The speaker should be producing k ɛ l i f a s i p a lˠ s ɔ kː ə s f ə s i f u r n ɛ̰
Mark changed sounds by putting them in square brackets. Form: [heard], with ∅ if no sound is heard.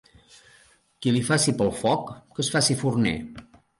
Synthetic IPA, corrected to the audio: k [i] l i f a s i p [ə] lˠ [f] ɔ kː ə s f [a] s i f u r n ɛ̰